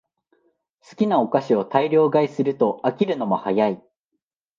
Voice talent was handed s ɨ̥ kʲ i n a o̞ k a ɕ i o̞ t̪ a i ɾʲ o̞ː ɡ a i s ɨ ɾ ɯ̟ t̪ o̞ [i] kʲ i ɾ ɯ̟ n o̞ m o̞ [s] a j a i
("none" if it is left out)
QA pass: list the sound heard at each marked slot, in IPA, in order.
a, h

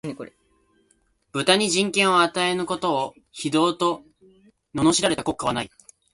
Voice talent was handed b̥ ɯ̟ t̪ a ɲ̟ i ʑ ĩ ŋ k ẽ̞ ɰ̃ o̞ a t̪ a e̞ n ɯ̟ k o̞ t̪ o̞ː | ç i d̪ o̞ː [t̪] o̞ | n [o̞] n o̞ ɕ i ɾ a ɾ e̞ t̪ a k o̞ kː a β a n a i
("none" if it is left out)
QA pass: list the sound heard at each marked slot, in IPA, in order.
t̪, o̞

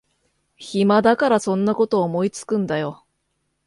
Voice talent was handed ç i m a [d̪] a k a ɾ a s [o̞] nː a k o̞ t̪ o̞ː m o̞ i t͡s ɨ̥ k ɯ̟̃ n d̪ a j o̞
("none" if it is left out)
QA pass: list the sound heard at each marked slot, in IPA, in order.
d̪, õ̞

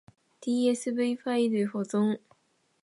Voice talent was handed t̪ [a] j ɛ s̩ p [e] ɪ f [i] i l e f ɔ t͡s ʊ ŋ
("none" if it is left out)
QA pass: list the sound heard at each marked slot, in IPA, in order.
i, e, a

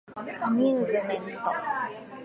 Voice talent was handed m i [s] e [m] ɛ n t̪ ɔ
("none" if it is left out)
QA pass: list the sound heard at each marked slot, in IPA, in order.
z, m

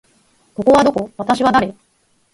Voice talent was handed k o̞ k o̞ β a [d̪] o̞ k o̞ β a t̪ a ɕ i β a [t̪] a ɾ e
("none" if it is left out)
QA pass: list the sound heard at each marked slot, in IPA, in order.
d̪, d̪

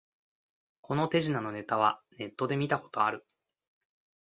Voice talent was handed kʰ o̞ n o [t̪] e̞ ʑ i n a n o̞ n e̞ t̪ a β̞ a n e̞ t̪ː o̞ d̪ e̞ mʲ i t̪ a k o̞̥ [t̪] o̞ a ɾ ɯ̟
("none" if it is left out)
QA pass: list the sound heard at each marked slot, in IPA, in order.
t̪, t̪

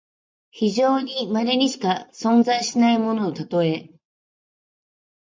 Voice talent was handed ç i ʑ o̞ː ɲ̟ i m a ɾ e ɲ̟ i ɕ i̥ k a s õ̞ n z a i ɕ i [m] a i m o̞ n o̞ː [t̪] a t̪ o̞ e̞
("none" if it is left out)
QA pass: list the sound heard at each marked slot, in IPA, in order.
n, t̪

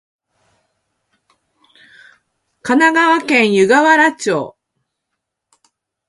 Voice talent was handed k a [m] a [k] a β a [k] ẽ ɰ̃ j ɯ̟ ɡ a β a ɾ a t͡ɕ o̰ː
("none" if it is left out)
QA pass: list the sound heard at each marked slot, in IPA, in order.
n, ɡ, k

